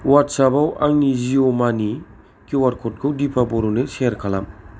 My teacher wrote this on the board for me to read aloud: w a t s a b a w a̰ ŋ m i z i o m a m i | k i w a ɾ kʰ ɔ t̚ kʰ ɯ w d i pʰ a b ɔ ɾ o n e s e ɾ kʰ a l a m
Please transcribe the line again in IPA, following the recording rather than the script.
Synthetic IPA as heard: w a t s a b a w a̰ ŋ n i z i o m a n i | k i w a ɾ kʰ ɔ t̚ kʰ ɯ w d i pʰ a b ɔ ɾ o n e s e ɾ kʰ a l a m